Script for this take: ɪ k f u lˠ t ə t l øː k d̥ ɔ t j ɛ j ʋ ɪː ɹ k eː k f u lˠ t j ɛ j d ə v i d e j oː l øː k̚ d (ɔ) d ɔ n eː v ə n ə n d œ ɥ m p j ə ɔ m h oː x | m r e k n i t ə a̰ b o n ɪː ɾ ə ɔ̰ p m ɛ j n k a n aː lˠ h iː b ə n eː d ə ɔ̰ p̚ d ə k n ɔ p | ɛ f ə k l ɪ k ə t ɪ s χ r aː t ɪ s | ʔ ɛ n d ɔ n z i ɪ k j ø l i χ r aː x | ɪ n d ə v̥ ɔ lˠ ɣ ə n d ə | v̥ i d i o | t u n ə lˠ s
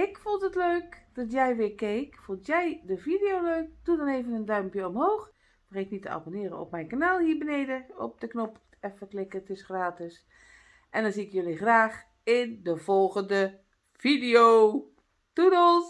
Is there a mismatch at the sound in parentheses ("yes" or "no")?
yes